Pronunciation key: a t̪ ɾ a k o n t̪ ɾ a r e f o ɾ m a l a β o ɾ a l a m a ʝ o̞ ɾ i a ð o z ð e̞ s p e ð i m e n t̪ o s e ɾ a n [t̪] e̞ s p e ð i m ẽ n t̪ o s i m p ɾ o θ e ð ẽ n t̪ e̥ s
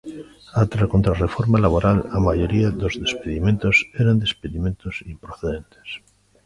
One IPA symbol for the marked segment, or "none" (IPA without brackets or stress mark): d̪